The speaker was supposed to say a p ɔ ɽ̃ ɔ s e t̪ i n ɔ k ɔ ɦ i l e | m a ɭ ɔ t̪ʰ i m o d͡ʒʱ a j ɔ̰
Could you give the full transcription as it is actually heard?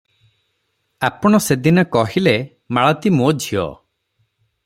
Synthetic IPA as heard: a p ɔ ɽ̃ ɔ s e d̪ i n ɔ k ɔ ɦ i l e | m a ɭ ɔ t̪ i m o d͡ʒʱ i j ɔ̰